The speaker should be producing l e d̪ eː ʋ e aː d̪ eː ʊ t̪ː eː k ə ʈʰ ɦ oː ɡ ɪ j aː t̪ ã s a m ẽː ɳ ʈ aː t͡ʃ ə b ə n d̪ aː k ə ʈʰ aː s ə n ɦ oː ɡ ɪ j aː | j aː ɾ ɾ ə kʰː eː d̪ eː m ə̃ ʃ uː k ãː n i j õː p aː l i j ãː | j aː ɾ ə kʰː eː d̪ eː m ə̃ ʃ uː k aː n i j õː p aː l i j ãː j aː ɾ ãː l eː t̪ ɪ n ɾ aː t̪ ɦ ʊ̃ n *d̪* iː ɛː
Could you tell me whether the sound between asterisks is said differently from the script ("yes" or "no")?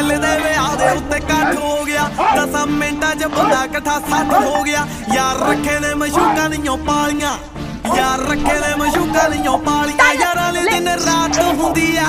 no